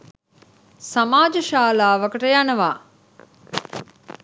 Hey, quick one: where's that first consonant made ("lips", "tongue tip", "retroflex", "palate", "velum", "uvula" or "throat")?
tongue tip